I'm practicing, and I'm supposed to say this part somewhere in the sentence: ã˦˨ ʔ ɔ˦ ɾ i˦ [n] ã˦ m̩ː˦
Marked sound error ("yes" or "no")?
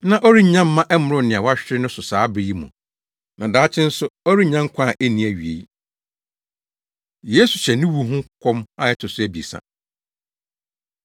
yes